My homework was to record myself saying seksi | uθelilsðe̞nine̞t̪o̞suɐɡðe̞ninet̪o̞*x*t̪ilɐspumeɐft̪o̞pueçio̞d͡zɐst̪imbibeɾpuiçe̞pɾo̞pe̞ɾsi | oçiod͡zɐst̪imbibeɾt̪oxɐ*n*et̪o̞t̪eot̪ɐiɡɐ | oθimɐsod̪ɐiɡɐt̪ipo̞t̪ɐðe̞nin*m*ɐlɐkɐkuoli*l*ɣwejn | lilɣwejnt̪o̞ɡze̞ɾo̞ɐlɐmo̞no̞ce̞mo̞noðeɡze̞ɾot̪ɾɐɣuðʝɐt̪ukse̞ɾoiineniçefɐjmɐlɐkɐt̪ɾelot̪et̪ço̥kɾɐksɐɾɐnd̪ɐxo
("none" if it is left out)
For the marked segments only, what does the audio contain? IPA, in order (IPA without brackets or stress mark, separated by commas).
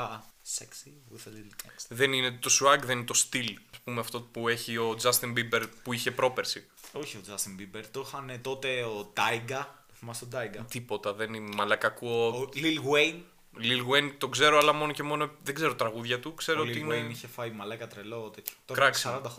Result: s, n, m, l